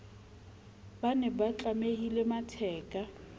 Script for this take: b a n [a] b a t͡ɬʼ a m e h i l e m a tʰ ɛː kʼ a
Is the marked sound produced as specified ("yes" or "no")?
no